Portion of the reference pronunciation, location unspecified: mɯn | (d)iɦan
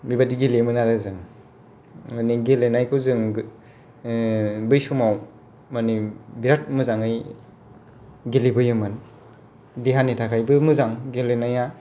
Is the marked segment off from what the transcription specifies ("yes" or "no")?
no